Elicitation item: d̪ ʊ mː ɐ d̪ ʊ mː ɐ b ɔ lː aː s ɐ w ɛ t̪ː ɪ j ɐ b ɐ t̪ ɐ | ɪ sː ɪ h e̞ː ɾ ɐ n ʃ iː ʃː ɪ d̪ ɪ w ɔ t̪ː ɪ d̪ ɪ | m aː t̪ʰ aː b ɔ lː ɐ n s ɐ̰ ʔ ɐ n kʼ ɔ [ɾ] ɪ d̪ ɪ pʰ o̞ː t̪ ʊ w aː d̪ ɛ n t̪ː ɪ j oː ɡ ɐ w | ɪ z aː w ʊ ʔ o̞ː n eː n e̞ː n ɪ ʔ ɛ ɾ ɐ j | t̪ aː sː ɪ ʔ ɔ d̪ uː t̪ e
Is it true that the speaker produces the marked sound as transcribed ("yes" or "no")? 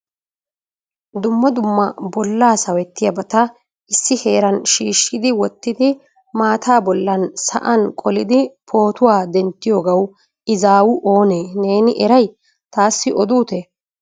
no